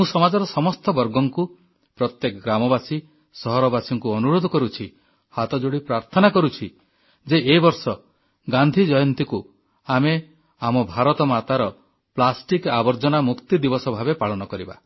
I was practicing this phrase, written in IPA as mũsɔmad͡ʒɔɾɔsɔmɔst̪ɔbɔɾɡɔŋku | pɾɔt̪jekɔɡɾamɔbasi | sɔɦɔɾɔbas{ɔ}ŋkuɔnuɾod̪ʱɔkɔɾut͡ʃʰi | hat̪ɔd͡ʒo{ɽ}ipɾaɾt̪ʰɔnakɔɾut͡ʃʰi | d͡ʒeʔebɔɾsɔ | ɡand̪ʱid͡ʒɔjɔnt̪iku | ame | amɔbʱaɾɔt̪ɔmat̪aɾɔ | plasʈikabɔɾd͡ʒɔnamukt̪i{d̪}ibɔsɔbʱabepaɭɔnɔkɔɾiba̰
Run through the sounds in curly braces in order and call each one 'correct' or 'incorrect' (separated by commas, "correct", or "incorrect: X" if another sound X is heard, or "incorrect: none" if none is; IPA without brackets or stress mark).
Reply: correct, correct, correct